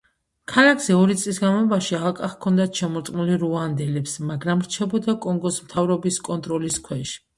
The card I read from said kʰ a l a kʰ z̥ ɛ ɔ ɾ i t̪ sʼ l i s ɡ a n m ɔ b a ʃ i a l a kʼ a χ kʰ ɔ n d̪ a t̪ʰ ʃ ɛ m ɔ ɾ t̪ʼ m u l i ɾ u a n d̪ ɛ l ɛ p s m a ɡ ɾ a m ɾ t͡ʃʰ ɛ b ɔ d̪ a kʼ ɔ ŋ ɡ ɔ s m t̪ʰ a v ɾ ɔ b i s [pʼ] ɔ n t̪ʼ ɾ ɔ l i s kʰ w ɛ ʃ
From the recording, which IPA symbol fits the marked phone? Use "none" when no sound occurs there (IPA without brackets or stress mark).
kʼ